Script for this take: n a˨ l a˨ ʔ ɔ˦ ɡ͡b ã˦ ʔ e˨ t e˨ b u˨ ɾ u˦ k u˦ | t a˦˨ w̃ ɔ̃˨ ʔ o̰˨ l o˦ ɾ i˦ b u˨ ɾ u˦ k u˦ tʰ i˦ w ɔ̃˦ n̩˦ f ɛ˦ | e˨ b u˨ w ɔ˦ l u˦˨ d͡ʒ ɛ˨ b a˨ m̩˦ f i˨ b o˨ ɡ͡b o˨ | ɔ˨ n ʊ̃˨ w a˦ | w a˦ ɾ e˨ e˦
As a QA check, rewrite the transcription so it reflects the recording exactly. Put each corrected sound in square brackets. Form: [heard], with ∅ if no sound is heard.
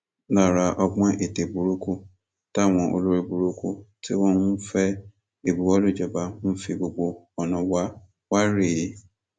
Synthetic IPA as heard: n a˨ [ɾ] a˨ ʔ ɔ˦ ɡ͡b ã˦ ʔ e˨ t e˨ b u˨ ɾ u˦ k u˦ | t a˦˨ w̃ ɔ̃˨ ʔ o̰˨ l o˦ ɾ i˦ b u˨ ɾ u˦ k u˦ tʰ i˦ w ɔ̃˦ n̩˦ f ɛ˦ | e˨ b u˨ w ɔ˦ l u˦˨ d͡ʒ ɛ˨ b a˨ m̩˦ f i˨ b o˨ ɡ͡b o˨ | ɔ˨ n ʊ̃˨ w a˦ | w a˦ ɾ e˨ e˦